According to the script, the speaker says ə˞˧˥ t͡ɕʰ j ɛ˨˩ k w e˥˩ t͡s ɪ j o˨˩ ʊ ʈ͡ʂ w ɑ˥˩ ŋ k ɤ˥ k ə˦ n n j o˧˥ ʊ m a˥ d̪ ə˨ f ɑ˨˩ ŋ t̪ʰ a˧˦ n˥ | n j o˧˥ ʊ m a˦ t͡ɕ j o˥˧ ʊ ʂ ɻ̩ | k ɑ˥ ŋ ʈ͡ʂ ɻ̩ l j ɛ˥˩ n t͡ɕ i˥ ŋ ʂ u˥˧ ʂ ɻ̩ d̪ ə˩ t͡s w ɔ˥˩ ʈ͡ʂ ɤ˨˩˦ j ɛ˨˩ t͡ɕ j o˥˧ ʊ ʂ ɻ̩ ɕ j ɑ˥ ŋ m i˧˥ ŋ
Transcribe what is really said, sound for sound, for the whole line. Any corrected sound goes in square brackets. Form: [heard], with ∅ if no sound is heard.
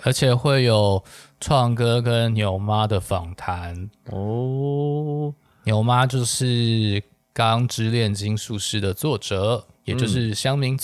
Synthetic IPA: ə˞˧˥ t͡ɕʰ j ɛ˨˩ [x] w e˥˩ [∅] ɪ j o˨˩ ʊ [ʈ͡ʂʰ] w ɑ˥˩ ŋ k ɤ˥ k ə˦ n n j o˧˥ ʊ m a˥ d̪ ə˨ f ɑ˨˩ ŋ t̪ʰ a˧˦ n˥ | n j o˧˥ ʊ m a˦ t͡ɕ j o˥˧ ʊ ʂ ɻ̩ | k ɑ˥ ŋ ʈ͡ʂ ɻ̩ l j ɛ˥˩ n t͡ɕ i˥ ŋ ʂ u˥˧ ʂ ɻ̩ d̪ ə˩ t͡s w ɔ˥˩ ʈ͡ʂ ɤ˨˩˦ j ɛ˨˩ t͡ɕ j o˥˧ ʊ ʂ ɻ̩ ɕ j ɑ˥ ŋ m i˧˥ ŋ